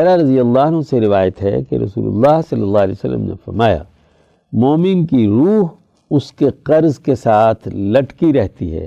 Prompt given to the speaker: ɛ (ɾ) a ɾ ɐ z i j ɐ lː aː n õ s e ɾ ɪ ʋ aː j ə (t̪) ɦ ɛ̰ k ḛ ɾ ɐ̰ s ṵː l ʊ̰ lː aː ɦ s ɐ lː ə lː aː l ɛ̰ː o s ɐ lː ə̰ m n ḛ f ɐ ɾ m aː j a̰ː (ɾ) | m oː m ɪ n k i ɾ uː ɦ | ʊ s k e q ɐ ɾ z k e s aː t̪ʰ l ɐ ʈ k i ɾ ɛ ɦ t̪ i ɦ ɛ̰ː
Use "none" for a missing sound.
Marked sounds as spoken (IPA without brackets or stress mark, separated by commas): ɾ, t̪, none